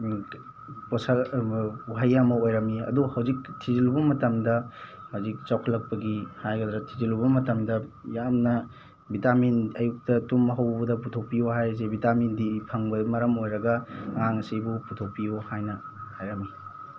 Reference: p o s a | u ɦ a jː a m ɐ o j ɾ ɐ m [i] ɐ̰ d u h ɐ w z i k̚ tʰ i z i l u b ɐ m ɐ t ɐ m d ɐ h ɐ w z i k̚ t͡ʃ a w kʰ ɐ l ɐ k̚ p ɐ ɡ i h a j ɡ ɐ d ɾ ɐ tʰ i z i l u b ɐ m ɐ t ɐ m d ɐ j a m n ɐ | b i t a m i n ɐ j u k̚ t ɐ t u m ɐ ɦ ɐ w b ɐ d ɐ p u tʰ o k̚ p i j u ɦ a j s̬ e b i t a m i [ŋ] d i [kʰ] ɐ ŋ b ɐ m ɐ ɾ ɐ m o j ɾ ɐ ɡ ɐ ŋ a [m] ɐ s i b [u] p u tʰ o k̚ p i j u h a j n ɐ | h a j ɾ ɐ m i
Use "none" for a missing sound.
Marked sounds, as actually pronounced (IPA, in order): i, n, pʰ, ŋ, u

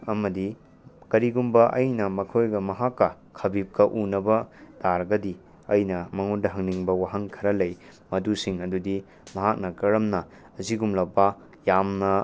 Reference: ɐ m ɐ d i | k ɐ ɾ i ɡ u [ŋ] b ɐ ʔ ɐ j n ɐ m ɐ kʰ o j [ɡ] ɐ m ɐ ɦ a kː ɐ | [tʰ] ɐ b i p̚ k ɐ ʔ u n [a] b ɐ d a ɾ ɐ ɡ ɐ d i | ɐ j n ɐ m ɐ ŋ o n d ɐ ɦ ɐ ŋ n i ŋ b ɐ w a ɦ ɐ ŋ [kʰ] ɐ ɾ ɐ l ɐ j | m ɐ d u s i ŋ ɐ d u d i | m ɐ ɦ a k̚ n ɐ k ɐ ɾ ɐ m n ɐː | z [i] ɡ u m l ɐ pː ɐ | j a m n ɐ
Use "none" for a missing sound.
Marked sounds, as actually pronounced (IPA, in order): m, ɡ, kʰ, ɐ, kʰ, i

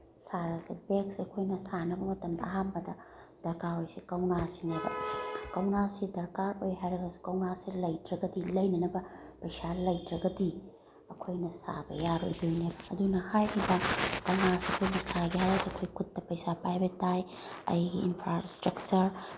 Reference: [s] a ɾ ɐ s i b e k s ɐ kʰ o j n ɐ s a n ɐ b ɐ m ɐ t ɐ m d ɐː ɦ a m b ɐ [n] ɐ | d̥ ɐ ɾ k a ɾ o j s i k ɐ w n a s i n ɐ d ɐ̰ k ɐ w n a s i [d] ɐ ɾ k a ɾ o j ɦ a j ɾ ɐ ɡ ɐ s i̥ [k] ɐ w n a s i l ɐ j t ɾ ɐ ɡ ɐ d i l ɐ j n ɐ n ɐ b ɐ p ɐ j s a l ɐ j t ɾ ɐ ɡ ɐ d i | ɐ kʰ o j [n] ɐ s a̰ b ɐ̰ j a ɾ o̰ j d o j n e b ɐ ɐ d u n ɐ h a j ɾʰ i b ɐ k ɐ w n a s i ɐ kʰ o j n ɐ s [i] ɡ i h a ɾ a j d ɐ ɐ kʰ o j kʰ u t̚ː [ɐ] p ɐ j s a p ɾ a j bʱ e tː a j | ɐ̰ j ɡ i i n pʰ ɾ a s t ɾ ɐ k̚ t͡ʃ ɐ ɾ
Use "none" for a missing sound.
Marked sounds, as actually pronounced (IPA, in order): s, d, d, k, n, a, ɐ

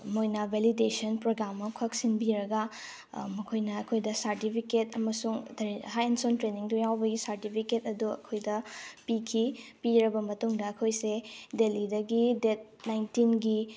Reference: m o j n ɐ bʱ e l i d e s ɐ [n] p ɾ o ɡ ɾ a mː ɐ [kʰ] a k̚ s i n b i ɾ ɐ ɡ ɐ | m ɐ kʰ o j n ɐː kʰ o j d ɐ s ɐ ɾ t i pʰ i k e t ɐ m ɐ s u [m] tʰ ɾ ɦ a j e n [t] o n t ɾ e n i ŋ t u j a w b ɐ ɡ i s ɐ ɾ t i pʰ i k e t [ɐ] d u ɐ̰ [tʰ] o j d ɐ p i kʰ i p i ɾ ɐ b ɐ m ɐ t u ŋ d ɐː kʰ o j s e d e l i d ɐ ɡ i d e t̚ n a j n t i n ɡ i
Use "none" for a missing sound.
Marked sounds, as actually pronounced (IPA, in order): n, kʰ, ŋ, s, ɐ, kʰ

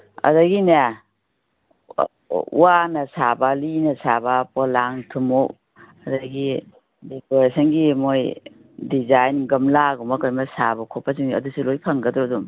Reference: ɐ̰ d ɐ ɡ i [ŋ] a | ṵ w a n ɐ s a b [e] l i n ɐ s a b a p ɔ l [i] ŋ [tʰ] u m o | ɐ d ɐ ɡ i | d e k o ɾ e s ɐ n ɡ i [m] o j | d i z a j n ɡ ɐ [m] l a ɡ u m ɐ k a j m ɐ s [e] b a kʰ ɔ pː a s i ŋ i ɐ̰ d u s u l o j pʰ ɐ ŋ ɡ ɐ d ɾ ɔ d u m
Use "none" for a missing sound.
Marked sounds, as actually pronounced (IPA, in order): n, a, a, tʰ, m, m, a

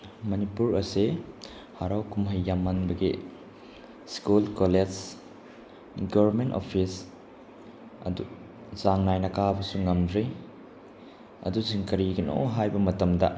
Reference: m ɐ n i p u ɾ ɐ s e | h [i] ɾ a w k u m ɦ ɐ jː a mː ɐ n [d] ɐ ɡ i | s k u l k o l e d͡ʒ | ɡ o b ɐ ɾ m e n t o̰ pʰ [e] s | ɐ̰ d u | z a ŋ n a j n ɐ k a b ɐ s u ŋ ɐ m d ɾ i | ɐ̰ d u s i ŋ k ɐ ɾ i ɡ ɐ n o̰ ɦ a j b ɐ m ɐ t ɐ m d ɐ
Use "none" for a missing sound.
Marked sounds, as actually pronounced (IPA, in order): a, b, i

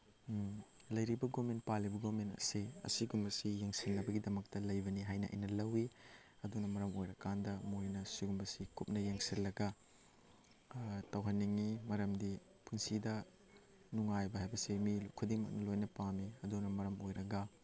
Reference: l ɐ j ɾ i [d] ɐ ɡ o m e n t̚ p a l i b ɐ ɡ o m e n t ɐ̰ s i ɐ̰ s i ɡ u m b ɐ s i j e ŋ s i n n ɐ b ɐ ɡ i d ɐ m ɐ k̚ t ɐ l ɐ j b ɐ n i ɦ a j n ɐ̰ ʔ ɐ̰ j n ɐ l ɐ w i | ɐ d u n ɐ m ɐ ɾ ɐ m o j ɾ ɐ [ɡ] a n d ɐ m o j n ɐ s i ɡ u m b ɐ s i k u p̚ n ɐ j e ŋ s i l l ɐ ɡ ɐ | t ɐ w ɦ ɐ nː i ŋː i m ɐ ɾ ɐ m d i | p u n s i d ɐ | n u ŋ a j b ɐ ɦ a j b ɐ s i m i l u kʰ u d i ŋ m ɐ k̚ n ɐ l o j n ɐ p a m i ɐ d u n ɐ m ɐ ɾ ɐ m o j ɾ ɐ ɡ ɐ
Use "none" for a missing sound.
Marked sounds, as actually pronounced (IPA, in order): b, k

